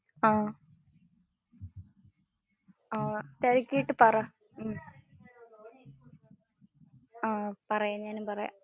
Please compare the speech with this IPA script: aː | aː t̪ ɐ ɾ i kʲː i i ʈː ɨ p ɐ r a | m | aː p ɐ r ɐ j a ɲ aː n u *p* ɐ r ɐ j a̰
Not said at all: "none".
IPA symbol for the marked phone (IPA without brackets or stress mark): p